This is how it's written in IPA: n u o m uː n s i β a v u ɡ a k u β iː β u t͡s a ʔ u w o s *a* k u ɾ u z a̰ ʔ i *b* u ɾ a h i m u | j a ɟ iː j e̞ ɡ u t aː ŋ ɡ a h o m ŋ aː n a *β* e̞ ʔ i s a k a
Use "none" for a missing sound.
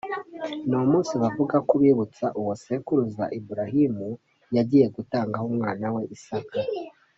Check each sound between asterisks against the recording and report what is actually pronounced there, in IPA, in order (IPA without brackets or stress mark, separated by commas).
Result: e, b, w